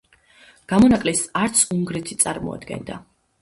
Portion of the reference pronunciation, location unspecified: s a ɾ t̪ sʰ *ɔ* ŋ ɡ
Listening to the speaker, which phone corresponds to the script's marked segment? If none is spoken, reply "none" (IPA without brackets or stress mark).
u